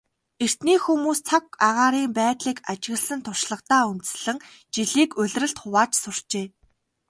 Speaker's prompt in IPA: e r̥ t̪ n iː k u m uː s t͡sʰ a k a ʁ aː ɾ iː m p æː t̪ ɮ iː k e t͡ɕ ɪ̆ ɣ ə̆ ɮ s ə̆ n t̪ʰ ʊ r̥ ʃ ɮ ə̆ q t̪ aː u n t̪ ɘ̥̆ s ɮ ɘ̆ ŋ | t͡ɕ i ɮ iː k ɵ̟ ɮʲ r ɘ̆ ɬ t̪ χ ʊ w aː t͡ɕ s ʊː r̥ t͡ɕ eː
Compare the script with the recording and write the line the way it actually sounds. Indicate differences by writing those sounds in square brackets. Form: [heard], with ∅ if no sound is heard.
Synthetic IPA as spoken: e r̥ t̪ n iː [x] u m uː s t͡sʰ a k a ʁ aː ɾ iː m p æː t̪ ɮ iː k [a] t͡ɕ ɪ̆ ɣ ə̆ ɮ s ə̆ n t̪ʰ ʊ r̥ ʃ ɮ ə̆ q t̪ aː u n t̪ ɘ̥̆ s ɮ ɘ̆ ŋ | t͡ɕ i ɮ iː k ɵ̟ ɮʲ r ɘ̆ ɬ t̪ χ ʊ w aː t͡ɕ s [ʊ] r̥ t͡ɕ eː

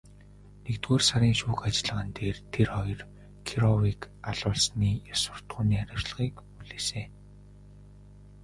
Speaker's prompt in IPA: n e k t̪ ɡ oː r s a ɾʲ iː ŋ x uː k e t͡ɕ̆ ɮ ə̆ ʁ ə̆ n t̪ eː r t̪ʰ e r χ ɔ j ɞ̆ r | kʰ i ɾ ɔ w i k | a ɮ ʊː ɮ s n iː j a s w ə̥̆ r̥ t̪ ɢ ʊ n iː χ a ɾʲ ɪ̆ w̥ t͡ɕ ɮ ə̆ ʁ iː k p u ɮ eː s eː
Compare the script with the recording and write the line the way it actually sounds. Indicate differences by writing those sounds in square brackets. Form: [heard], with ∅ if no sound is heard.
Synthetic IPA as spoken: n e k t̪ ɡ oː r s a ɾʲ iː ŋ [ʃ] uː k [a] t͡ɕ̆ ɮ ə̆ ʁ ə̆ n t̪ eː r t̪ʰ e r χ ɔ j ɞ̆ r | kʰ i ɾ ɔ w i k | a ɮ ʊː ɮ s n iː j a s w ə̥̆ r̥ t̪ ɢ [ʊː] n iː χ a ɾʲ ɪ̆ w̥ t͡ɕ ɮ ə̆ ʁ iː k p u ɮ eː s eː

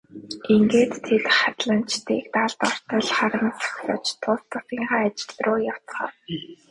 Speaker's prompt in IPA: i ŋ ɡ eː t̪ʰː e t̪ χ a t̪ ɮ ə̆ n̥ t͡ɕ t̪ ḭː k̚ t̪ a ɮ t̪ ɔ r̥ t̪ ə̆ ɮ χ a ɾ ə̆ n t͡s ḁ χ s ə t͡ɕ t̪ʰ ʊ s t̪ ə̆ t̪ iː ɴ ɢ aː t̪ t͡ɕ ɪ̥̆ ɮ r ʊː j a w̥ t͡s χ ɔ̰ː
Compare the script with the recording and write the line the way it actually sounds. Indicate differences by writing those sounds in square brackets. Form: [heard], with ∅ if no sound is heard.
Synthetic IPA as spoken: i ŋ ɡ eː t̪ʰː e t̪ χ a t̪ ɮ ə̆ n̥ t͡ɕ t̪ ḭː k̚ t̪ a ɮ t̪ ɔ r̥ t̪ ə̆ ɮ χ a ɾ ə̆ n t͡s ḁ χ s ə t͡ɕ t̪ʰ ʊ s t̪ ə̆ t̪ iː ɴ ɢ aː [∅] t͡ɕ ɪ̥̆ ɮ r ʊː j a w̥ t͡s χ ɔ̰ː

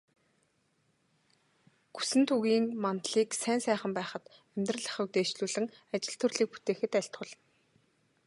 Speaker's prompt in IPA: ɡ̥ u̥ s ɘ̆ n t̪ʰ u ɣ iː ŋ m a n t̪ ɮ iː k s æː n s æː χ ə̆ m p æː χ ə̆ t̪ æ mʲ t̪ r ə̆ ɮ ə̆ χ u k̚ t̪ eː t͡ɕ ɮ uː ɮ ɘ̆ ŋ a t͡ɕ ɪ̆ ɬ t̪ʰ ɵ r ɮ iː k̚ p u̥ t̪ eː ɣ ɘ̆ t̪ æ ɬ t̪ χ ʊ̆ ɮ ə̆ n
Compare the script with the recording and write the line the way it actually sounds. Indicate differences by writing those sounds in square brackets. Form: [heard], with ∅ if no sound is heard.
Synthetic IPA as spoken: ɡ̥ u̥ s ɘ̆ n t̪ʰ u ɣ iː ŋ m a n t̪ ɮ iː k s æː n s æː χ ə̆ m p æː χ ə̆ t̪ æ mʲ t̪ r ə̆ ɮ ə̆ χ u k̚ t̪ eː t͡ɕ ɮ uː ɮ ɘ̆ ŋ a t͡ɕ ɪ̆ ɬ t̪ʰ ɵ r ɮ iː k̚ p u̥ t̪ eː [x] ɘ̆ t̪ æ ɬ t̪ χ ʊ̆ ɮ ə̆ n

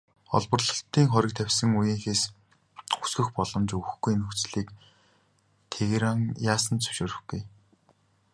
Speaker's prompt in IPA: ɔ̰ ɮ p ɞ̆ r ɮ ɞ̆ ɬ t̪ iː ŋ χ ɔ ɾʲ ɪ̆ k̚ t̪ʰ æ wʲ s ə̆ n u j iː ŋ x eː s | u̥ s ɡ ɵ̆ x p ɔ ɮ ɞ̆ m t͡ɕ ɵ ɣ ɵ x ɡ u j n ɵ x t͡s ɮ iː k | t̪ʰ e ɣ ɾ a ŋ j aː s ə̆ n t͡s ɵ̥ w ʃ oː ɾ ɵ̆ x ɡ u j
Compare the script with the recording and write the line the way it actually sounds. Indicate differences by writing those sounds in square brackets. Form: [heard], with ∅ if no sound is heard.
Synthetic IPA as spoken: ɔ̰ ɮ p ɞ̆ r ɮ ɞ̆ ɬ t̪ iː ŋ χ ɔ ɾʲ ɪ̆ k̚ t̪ʰ æ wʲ s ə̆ [ŋ] u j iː ŋ x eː s | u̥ s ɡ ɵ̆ x p ɔ ɮ ɞ̆ m t͡ɕ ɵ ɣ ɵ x ɡ u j n ɵ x t͡s ɮ iː k | t̪ʰ e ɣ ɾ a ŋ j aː s ə̆ n t͡s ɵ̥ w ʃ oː ɾ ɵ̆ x ɡ u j

